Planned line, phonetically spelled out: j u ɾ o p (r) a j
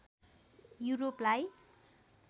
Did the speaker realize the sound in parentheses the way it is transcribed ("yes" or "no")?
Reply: no